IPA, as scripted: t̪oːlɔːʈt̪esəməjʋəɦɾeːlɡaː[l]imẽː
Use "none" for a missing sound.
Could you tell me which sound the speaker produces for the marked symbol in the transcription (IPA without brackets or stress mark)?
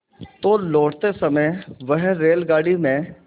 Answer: ɽ